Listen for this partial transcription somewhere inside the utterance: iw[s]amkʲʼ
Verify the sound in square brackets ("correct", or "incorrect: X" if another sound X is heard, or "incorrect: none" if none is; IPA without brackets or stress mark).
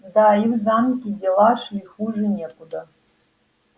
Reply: incorrect: z